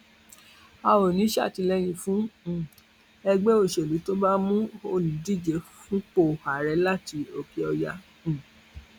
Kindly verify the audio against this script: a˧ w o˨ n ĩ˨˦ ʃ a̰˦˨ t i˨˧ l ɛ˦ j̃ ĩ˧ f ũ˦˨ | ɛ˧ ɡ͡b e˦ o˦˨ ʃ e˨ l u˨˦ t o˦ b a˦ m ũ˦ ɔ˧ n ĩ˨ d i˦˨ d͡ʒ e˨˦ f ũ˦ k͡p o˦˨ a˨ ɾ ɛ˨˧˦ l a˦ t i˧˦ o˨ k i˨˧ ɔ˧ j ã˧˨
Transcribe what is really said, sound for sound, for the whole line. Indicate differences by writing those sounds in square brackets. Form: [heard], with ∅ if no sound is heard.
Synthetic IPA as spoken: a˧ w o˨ n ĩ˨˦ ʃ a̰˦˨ t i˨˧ l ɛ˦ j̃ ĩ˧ f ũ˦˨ | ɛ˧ ɡ͡b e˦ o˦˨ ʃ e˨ l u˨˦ t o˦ b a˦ m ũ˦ [o˧] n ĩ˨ d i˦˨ d͡ʒ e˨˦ f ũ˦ k͡p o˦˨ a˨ ɾ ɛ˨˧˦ l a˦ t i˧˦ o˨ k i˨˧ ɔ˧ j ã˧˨

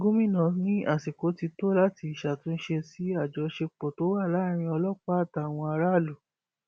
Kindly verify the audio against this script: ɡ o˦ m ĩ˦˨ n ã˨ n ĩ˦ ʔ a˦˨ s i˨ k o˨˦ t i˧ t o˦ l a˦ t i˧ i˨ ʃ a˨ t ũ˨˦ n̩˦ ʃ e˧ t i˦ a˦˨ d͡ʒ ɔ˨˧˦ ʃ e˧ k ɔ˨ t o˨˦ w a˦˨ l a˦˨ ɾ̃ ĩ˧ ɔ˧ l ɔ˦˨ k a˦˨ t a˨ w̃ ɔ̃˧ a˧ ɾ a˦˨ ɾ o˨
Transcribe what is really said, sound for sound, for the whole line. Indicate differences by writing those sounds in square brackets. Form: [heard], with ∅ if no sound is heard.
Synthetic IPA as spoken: ɡ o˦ m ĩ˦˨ n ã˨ n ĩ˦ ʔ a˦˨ s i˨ k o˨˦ t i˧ t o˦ l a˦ t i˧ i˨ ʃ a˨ t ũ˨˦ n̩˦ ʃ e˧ [s] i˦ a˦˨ d͡ʒ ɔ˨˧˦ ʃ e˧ [k͡p] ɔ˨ t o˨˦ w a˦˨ l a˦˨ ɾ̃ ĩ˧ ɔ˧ l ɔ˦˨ [k͡p] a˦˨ t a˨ w̃ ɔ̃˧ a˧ ɾ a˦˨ [l] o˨

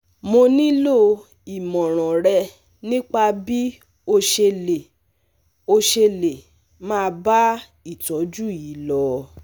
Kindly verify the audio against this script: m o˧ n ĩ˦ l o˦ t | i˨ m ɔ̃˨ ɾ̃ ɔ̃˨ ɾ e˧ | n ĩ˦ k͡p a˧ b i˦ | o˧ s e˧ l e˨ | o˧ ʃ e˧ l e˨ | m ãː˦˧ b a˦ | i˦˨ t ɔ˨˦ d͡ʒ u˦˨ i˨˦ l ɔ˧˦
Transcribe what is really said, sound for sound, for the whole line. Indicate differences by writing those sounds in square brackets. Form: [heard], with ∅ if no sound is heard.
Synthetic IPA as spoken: m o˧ n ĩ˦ l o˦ [∅] | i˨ m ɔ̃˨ ɾ̃ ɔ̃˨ ɾ [ɛ˧] | n ĩ˦ k͡p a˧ b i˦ | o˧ [ʃ] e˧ l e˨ | o˧ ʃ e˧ l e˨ | m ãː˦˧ b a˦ | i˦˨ t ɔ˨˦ d͡ʒ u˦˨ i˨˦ l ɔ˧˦

